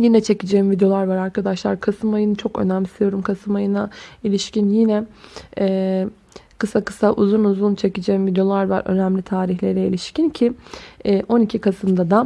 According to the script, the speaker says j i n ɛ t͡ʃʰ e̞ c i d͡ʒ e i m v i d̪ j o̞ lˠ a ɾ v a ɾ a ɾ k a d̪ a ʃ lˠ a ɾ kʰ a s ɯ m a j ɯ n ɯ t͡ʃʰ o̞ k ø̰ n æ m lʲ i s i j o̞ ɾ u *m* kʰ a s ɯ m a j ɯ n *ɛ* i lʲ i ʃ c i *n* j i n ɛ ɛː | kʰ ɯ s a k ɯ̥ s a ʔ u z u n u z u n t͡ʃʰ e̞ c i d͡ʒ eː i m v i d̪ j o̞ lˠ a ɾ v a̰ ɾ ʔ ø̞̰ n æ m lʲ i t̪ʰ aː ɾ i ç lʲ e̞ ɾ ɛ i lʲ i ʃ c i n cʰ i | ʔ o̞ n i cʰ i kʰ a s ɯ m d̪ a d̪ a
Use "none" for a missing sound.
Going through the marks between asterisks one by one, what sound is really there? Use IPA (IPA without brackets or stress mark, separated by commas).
m, a, n